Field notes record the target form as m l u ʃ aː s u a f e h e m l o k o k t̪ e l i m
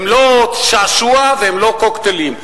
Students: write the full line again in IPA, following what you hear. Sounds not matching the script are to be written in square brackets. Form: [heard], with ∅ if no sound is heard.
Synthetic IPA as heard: m l [o] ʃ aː [ʃ] u a [v] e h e m l o k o k t̪ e l i m

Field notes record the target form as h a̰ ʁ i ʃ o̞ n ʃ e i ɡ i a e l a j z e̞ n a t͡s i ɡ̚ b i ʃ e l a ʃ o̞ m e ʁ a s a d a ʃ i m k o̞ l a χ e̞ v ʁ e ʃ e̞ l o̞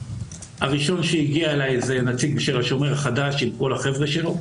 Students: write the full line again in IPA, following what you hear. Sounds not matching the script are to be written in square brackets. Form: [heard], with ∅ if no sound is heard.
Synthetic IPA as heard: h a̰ ʁ i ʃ o̞ n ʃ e i ɡ i a e l a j z e̞ n a t͡s i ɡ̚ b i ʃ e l a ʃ o̞ m e ʁ a [χ] a d a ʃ i m k o̞ l a χ e̞ v ʁ e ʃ e̞ l o̞

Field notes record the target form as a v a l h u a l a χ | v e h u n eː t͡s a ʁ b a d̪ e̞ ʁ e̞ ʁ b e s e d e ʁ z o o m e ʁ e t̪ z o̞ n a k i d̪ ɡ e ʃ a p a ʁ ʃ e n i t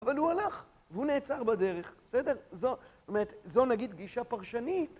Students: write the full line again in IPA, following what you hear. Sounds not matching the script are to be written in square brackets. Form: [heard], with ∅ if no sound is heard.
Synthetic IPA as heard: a v a l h u a l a χ | v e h u n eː t͡s a ʁ b a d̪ e̞ ʁ e̞ [χ] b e s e d e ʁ z o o m e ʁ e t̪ z o̞ n a [ɡ] i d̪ ɡ [i] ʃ a p a ʁ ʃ [a] n i t

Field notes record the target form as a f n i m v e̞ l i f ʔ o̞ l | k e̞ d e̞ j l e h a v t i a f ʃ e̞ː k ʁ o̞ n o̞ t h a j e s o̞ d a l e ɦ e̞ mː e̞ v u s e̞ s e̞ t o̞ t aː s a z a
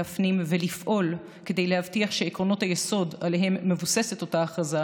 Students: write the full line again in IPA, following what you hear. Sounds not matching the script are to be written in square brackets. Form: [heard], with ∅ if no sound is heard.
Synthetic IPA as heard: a f n i m v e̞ l i f ʔ o̞ l | k e̞ d e̞ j l e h a v t i a [χ] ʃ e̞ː k ʁ o̞ n o̞ t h a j e s o̞ d a l e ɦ e̞ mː e̞ v u s e̞ s e̞ t o̞ t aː [χ] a z a

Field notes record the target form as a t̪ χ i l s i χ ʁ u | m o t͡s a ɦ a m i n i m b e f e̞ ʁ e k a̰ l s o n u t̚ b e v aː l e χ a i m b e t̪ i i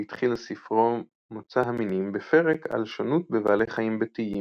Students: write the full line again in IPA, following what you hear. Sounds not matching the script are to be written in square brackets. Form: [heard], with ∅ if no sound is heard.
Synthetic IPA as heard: [i] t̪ χ i l s i [f] ʁ [o] | m o t͡s a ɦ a m i n i m b e f e̞ ʁ e k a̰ l [ʃ] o n u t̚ b e v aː l e χ a i m b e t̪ i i

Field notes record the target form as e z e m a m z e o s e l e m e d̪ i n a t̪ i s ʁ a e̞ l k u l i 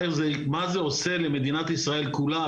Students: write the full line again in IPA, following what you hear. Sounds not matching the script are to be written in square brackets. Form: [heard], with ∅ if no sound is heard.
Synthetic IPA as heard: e z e m a [∅] z e o s e l e m e d̪ i n a t̪ i s ʁ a e̞ l k u l [a]

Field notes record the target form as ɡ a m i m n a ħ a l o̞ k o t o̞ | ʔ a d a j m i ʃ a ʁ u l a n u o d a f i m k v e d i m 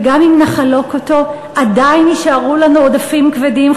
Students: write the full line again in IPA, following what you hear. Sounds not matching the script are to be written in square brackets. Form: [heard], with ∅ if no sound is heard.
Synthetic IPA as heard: ɡ a m i m n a [χ] a l o̞ k o t o̞ | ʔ a d a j [n] i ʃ a ʁ u l a n u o d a f i m k v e d i m

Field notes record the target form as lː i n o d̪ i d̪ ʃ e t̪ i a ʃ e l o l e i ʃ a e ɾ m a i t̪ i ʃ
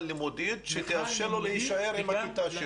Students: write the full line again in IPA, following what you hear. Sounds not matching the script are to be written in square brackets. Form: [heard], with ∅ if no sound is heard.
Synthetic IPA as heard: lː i [m] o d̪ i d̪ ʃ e t̪ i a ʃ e l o l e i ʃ a e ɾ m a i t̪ [a] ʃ

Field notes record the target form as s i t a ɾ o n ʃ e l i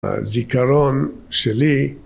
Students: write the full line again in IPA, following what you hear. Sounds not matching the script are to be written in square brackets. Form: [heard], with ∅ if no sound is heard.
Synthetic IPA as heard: [z] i [k] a ɾ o n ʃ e l i

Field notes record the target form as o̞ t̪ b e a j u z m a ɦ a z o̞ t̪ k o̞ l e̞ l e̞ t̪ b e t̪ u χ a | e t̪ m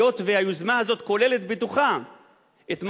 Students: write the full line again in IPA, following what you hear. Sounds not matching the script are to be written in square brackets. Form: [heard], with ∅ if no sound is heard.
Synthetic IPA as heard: o̞ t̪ [v] e a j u z m a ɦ a z o̞ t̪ k o̞ l e̞ l e̞ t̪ b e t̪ u χ a | e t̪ m

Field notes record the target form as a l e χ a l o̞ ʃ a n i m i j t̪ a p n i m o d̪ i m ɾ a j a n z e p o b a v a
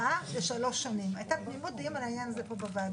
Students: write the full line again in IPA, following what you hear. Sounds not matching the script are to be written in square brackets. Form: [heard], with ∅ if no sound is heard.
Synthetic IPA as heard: a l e [ʃ] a l o̞ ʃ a n i m [a] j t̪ a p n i m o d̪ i m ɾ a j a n z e p o b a v a

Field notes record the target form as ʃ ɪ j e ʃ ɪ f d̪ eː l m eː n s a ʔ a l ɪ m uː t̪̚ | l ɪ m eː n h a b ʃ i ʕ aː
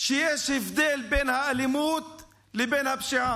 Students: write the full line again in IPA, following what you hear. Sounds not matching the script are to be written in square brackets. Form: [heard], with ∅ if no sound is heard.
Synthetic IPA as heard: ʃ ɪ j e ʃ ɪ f d̪ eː l [b] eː n [h] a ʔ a l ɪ m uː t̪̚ | l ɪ [b] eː n h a b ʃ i ʕ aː

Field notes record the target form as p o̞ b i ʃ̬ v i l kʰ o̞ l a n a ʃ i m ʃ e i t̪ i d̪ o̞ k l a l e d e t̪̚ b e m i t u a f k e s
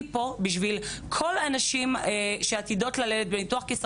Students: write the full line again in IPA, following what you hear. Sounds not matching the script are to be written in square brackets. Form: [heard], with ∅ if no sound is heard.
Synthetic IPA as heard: p o̞ b i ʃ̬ v i l kʰ o̞ l a n a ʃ i m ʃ e [a] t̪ i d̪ o̞ [t] l a l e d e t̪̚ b e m i t u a [χ] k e s

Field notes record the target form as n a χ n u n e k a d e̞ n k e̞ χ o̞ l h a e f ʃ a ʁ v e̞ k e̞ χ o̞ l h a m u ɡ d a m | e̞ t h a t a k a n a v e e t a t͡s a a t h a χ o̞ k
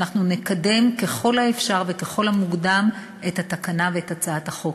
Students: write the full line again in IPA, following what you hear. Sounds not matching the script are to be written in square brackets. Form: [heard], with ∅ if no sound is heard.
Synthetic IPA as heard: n a χ n u n e k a d e̞ [m] k e̞ χ o̞ l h a e f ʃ a ʁ v e̞ k e̞ χ o̞ l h a m u ɡ d a m | e̞ t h a t a k a n a v e e t a t͡s a a t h a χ o̞ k

